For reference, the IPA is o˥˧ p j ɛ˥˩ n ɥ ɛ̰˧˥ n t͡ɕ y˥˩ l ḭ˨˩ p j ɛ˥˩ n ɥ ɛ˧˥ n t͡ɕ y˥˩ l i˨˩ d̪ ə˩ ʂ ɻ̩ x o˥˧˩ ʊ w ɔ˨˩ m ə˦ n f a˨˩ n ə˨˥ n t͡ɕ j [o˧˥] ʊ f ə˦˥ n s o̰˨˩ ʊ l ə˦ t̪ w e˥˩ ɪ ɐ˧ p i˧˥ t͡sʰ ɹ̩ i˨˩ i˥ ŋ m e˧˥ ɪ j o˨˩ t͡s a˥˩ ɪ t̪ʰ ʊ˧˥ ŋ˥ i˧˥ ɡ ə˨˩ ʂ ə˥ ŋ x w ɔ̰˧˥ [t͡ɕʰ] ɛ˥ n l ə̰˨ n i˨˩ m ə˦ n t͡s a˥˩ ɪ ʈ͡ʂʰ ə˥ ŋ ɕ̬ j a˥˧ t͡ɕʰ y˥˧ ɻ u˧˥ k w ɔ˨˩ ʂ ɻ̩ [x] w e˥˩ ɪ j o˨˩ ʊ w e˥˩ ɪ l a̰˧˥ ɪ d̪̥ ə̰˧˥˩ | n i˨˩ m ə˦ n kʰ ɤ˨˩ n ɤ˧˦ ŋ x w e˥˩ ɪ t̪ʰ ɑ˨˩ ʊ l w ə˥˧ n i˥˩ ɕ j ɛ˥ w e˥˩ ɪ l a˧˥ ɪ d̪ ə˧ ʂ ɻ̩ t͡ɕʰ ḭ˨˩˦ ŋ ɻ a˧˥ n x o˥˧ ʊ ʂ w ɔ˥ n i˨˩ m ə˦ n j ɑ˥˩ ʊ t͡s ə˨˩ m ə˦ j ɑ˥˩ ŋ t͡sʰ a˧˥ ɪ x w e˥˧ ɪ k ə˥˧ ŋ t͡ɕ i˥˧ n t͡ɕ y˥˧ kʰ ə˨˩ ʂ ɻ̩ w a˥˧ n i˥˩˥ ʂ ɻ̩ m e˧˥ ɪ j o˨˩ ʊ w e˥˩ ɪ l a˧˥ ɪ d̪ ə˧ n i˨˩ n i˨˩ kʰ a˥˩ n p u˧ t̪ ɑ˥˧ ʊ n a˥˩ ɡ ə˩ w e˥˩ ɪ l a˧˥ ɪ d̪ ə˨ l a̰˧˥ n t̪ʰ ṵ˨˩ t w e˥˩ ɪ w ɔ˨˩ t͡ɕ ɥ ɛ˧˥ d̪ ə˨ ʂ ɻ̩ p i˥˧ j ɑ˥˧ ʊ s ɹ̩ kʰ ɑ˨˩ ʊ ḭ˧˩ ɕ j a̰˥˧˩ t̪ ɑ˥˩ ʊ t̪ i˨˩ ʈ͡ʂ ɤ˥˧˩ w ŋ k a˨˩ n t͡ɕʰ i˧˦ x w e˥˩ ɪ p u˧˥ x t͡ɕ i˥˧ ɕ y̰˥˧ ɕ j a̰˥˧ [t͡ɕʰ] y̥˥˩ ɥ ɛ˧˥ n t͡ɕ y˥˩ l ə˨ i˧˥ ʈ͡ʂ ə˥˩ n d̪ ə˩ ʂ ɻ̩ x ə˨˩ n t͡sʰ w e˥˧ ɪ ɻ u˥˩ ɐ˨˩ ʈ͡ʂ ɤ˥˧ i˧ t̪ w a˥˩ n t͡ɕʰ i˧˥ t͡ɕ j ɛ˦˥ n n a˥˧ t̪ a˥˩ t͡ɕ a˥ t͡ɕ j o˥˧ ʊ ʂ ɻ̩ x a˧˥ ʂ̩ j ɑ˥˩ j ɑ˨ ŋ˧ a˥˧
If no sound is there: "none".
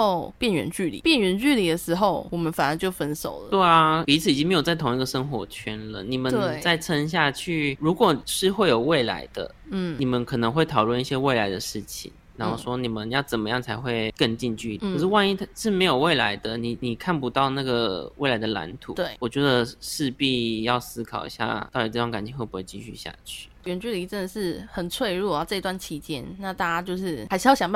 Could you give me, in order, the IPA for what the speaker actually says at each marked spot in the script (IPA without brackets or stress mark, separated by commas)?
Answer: o˥˩, t͡ɕʰ, x, t͡ɕʰ